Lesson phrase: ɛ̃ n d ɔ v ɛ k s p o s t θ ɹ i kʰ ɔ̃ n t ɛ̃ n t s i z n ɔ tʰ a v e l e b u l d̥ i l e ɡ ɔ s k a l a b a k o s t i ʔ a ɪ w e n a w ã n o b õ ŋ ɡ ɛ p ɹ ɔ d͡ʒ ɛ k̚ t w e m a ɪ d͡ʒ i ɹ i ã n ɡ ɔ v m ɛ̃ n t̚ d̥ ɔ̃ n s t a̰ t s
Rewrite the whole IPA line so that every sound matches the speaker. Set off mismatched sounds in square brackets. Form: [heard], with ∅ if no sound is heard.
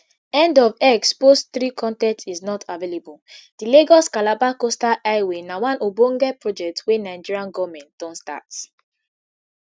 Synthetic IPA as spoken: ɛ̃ n d ɔ v ɛ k s p o s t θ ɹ i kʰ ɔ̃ n t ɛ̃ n t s i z n ɔ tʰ a v e l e b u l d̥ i l e ɡ ɔ s k a l a b a k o s t [a] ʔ a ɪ w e n a w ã n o b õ ŋ ɡ ɛ p ɹ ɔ d͡ʒ ɛ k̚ t w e [n] a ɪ d͡ʒ i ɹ i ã n ɡ ɔ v m ɛ̃ n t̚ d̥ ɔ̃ n s t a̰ t s